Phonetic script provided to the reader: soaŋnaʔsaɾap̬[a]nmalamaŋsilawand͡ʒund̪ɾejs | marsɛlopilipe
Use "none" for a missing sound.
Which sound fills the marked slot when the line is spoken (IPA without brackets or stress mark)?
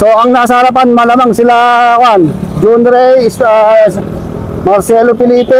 a